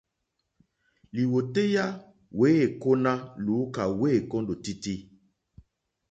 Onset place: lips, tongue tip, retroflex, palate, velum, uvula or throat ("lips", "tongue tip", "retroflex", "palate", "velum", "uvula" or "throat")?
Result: tongue tip